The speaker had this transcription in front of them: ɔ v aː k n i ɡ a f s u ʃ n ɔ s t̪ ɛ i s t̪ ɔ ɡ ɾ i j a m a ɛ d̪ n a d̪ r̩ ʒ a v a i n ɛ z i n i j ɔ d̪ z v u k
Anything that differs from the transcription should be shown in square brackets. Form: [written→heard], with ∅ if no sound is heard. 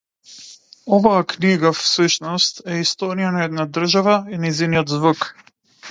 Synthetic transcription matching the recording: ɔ v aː k n i ɡ a f s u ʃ n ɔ s t̪ ɛ i s t̪ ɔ [ɡ→∅] ɾ i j a [m→n] a ɛ d̪ n a d̪ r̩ ʒ a v a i n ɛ z i n i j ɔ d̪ z v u k